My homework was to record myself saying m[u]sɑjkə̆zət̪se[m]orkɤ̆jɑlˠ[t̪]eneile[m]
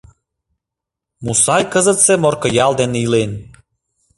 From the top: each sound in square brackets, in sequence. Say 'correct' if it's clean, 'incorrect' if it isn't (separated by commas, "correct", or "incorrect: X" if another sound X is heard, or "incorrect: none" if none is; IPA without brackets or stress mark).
correct, correct, incorrect: d̪, incorrect: n